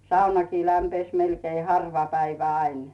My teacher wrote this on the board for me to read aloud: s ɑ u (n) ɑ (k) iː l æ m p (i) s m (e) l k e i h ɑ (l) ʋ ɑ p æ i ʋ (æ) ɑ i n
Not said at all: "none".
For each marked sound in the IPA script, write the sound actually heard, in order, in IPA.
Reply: n, k, e, e, r, æ

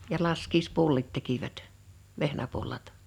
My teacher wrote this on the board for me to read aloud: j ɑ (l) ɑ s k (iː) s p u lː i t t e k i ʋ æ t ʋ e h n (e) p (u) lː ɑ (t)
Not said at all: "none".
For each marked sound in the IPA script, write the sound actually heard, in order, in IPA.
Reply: l, iː, æ, u, t

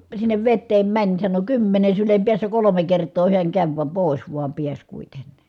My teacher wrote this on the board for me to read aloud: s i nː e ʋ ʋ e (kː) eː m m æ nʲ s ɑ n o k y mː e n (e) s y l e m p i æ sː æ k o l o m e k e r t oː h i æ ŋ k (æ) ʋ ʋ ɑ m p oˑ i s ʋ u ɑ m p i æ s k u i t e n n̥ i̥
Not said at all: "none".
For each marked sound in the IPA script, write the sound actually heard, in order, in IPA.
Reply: tː, e, æ

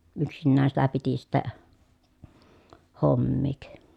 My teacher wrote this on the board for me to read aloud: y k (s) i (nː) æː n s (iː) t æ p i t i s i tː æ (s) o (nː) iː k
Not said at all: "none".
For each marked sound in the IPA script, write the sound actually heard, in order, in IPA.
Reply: s, nː, i, h, mː

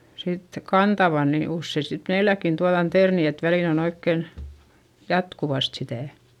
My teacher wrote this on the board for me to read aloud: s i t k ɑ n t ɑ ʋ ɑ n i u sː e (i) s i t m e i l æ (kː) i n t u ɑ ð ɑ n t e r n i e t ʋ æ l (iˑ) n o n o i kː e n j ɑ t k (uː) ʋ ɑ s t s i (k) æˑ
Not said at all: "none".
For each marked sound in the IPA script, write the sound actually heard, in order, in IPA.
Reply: i, kː, iˑ, u, t

